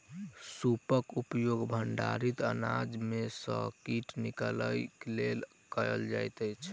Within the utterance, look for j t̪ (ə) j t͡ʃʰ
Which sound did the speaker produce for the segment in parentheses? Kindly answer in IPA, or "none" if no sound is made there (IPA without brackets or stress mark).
ə